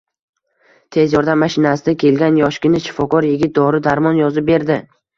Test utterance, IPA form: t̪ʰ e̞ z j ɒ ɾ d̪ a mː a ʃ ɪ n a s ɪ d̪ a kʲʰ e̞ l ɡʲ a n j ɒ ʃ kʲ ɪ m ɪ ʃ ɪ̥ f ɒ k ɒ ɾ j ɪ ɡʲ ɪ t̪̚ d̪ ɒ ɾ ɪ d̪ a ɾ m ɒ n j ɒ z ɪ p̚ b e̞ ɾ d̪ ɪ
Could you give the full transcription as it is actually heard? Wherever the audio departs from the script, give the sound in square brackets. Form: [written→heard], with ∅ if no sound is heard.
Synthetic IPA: t̪ʰ e̞ z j ɒ ɾ d̪ a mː a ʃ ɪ n a s ɪ d̪ a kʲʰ e̞ l ɡʲ a n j ɒ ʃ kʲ ɪ [m→n] ɪ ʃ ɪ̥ f ɒ k ɒ ɾ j ɪ ɡʲ ɪ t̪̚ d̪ ɒ ɾ ɪ d̪ a ɾ m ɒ n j ɒ z ɪ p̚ b e̞ ɾ d̪ ɪ